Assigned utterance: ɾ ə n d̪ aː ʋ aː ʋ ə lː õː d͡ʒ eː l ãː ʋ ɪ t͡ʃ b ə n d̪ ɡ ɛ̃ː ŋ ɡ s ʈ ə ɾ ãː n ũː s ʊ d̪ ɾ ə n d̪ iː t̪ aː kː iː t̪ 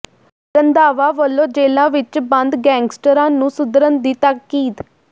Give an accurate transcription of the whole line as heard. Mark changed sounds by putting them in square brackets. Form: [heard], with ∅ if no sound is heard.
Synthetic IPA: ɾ ə n d̪ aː ʋ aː ʋ ə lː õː d͡ʒ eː l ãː ʋ ɪ t͡ʃ b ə n d̪ ɡ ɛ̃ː ŋ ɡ s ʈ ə ɾ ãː n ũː s ʊ d̪ ɾ ə n d̪ iː t̪ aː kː iː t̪